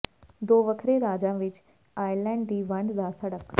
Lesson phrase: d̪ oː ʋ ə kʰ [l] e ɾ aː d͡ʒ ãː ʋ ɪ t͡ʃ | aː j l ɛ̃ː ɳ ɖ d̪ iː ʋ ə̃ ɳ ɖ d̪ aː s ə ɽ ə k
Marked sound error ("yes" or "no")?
yes